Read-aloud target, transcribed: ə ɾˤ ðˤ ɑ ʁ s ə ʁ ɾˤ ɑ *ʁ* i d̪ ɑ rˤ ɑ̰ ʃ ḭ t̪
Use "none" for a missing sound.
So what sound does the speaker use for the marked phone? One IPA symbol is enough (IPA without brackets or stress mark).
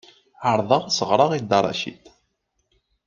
ʁ